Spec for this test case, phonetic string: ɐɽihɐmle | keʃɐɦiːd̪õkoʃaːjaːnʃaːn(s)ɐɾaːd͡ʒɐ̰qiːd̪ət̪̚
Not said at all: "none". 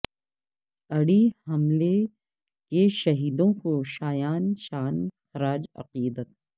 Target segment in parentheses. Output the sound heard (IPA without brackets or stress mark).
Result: x